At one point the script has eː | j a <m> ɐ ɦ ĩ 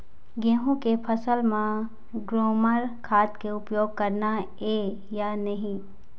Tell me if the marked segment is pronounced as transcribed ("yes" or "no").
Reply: no